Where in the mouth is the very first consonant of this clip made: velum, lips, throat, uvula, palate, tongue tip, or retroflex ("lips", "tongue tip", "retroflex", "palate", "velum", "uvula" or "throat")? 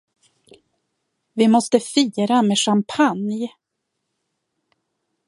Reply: lips